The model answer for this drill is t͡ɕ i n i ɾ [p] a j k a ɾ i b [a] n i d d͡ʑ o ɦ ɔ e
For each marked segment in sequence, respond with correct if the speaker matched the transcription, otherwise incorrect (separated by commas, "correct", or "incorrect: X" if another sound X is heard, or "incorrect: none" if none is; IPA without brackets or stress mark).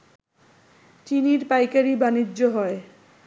correct, correct